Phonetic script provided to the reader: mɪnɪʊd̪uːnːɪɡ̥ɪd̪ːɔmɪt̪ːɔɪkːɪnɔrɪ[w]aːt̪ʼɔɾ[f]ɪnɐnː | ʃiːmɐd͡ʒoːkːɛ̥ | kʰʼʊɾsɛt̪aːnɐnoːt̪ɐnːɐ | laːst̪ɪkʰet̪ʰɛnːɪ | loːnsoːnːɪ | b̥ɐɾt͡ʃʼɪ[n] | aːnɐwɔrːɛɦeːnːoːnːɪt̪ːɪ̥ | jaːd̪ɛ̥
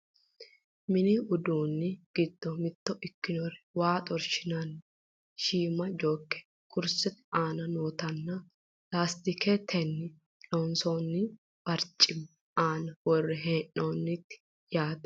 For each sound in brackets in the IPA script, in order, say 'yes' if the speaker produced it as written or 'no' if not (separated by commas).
yes, no, no